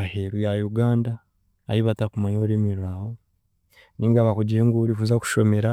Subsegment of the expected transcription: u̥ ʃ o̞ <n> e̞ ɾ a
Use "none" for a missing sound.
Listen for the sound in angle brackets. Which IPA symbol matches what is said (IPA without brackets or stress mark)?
m